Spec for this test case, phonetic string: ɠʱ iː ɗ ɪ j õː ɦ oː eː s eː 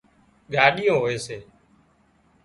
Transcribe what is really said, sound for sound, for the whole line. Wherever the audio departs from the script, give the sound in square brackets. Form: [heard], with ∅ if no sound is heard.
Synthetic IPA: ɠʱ [aː] ɗ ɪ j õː ɦ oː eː s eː